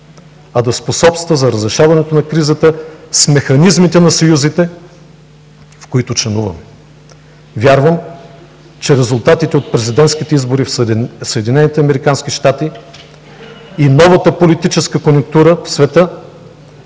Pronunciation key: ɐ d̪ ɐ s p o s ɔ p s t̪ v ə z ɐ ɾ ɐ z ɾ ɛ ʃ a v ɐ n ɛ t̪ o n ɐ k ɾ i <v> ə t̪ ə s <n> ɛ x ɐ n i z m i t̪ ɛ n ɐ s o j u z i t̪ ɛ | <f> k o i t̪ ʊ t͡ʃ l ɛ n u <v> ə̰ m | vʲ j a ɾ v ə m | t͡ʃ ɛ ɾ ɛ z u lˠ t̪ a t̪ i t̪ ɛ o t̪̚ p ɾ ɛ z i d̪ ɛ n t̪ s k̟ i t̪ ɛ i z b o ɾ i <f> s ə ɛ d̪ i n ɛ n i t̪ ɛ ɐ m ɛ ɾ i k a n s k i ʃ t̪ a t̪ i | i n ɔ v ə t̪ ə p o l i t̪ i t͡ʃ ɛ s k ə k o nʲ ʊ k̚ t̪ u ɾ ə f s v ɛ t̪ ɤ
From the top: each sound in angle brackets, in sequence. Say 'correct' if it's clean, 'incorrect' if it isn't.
incorrect: z, incorrect: m, correct, correct, correct

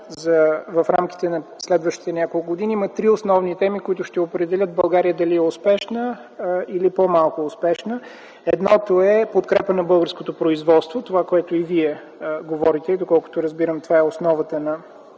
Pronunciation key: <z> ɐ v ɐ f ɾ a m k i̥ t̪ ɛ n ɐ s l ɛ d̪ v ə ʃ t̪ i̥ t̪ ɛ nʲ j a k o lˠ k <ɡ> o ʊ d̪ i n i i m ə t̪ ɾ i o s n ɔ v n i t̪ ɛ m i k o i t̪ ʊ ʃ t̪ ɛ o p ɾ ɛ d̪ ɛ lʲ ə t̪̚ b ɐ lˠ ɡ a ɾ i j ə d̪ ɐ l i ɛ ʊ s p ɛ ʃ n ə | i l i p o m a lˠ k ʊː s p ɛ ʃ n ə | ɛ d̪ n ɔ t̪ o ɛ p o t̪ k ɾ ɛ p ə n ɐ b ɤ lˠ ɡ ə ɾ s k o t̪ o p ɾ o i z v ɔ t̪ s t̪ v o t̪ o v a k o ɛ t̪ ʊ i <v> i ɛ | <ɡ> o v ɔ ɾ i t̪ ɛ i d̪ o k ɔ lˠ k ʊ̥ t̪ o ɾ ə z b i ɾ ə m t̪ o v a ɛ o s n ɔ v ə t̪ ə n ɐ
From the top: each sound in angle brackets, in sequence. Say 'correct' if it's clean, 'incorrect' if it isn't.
correct, correct, correct, correct

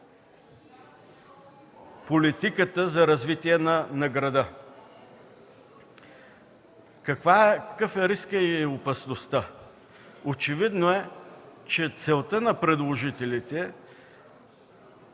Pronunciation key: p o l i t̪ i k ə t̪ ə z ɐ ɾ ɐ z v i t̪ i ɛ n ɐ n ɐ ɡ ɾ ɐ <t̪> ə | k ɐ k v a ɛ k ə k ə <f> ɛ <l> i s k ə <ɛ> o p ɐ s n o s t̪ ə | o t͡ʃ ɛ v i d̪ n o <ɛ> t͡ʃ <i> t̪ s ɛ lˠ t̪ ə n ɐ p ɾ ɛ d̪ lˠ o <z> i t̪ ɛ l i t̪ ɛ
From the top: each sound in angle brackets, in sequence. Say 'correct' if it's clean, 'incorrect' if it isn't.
incorrect: d̪, correct, incorrect: ɾ, incorrect: i, correct, incorrect: ɛ, incorrect: ʒ

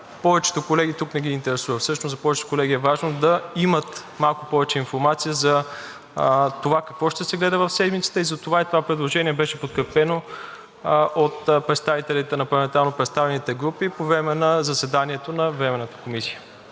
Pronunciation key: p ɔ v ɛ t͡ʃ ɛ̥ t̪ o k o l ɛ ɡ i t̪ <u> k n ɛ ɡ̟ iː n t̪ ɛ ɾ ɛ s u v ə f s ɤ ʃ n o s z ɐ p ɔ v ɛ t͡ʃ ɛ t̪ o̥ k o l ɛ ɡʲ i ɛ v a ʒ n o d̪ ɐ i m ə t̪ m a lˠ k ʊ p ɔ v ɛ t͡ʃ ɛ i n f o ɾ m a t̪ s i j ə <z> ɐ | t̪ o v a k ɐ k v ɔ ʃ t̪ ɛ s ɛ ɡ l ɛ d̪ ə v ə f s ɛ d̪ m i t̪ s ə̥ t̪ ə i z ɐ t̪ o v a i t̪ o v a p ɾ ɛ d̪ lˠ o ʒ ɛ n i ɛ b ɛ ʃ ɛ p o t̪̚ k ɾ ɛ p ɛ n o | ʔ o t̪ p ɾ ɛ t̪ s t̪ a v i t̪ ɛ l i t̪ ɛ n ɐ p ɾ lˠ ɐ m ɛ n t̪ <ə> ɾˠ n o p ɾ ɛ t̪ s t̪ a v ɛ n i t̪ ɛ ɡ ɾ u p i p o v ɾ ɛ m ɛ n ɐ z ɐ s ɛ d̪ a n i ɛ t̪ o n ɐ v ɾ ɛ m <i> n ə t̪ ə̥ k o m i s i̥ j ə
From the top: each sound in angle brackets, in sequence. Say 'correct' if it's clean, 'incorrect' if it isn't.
correct, correct, incorrect: a, incorrect: ɛ

